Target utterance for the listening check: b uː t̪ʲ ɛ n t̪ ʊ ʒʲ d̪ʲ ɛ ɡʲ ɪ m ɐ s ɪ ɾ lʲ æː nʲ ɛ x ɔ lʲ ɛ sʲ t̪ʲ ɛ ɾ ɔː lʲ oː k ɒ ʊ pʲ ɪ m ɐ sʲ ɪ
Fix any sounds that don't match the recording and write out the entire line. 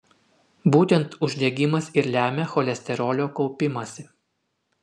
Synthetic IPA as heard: b uː t̪ʲ ɛ n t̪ ʊ ʒʲ d̪ʲ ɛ ɡʲ ɪ m ɐ s ɪ ɾ lʲ æː mʲ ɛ x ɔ lʲ ɛ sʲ t̪ʲ ɛ ɾ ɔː lʲ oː k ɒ ʊ pʲ ɪ m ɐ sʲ ɪ